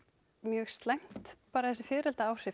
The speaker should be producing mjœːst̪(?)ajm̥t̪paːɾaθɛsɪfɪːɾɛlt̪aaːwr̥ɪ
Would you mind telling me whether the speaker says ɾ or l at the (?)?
l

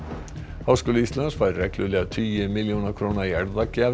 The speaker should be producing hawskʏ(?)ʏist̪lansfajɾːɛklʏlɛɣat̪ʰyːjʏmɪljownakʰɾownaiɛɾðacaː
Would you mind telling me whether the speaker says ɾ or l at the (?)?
l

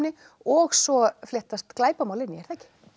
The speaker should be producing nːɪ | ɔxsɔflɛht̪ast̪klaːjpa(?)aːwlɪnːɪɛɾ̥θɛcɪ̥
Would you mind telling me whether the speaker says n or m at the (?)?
m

